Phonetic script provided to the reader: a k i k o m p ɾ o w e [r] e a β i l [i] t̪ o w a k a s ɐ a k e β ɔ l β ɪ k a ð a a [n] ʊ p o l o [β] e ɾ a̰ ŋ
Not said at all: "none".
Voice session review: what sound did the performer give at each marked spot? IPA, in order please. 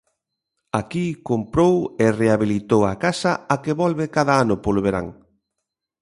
r, i, n, β

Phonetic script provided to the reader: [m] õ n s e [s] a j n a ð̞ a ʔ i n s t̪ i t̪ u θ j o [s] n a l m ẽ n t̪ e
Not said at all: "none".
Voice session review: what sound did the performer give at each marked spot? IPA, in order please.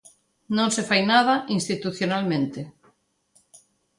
n, f, none

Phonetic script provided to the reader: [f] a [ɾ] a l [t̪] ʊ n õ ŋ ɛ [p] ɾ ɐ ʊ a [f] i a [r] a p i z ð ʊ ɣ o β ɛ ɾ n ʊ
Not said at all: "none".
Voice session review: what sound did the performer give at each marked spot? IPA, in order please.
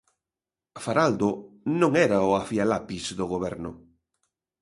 f, ɾ, d̪, none, f, l

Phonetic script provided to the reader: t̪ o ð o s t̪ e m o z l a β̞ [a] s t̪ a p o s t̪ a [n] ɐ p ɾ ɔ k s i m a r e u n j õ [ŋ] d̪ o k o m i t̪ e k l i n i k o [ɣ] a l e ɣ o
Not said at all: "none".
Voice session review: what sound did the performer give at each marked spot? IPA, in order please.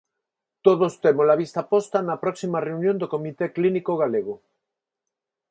i, n, n, ɣ

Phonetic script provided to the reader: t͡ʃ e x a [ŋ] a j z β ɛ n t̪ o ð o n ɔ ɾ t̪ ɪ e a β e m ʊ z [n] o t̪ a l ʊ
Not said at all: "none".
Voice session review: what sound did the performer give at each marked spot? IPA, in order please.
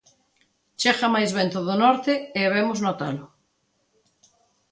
m, n

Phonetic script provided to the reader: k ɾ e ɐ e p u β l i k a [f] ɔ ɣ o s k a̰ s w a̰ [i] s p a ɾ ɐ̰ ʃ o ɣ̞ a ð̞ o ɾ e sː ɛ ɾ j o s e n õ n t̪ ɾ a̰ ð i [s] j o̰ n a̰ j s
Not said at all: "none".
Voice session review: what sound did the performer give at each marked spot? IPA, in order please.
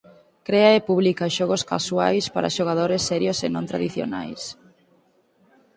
ʃ, j, θ

